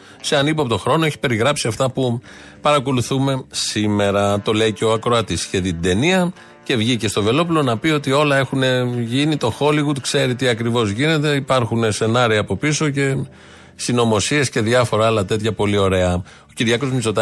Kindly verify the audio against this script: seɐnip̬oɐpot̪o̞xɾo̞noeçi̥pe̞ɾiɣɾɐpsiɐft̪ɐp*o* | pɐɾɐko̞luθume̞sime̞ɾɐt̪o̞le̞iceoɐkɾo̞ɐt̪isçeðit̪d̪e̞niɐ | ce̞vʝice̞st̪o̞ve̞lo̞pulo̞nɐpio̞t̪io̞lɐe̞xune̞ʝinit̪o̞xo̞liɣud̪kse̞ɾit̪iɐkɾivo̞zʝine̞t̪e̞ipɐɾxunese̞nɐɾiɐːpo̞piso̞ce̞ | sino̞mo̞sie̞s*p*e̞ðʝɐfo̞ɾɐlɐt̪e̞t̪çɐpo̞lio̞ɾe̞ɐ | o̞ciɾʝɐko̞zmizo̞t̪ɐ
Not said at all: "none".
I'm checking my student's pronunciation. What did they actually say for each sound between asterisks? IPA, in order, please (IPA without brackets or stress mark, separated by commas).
u, c